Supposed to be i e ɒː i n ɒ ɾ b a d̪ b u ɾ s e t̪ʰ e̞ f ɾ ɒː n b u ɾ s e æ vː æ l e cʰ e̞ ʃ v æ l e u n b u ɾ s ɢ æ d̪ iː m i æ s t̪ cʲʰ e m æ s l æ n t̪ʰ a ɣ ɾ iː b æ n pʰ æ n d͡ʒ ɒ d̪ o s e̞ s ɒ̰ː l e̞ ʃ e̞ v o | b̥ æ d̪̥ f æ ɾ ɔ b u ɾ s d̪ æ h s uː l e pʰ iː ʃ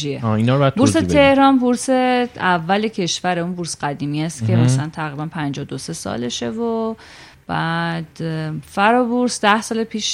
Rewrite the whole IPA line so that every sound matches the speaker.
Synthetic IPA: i e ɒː i n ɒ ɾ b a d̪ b u ɾ s e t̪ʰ e̞ h ɾ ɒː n b u ɾ s e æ vː æ l e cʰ e̞ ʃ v æ ɾ e u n b u ɾ s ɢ æ d̪ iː m i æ s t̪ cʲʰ e m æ s l æ n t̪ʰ æ ɣ ɾ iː b æ n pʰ æ n d͡ʒ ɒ d̪ o s e̞ s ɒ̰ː l e̞ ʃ e̞ v o | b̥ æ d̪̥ f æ ɾ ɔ b u ɾ s d̪ æ h s ɒː l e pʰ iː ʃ